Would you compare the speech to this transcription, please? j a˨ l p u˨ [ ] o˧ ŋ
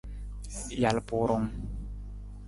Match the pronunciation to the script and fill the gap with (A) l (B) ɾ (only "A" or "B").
B